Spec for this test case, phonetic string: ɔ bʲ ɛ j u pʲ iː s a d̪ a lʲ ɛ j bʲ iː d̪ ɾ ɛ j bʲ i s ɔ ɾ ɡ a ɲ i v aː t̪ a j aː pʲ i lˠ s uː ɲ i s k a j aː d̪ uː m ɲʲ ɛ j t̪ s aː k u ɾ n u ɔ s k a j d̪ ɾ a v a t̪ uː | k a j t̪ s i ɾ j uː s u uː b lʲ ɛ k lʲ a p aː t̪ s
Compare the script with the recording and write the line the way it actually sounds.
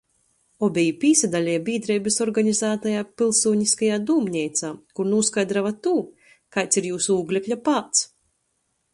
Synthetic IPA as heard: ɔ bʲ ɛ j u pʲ iː s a d̪ a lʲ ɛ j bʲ iː d̪ ɾ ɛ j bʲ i s ɔ ɾ ɡ a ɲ i z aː t̪ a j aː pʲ i lˠ s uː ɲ i s k a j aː d̪ uː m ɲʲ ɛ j t̪ s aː k u ɾ n u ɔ s k a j d̪ ɾ a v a t̪ uː | k a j t̪ s i ɾ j uː s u uː ɡ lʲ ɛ k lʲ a p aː t̪ s